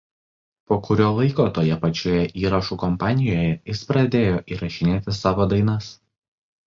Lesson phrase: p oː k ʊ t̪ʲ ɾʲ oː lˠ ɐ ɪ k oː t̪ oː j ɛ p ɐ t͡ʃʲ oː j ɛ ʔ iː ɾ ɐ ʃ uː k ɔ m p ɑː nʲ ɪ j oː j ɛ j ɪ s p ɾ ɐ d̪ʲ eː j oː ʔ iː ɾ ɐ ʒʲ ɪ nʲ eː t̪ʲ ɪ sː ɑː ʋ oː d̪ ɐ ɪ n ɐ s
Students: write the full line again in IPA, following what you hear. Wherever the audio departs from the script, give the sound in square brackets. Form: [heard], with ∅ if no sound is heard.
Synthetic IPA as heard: p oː k ʊ [∅] ɾʲ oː lˠ ɐ ɪ k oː t̪ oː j ɛ p ɐ t͡ʃʲ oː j ɛ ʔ iː ɾ ɐ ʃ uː k ɔ m p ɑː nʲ ɪ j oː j ɛ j ɪ s p ɾ ɐ d̪ʲ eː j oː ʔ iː ɾ ɐ [ʃʲ] ɪ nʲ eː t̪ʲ ɪ [s] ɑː ʋ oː d̪ ɐ ɪ n ɐ s